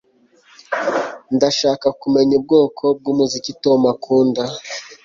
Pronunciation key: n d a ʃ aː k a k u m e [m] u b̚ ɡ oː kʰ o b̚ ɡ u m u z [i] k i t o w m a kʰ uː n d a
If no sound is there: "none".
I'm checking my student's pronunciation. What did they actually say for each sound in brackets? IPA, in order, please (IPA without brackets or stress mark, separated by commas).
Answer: ɲ, i